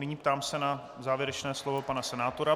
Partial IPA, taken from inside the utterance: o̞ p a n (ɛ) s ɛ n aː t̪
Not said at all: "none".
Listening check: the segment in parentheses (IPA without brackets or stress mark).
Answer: a